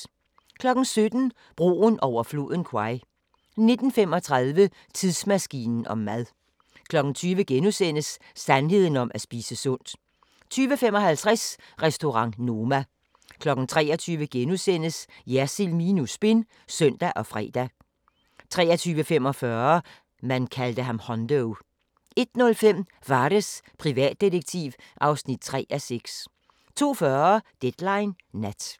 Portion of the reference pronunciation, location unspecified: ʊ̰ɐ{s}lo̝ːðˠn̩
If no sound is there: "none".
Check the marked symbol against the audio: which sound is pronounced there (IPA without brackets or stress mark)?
f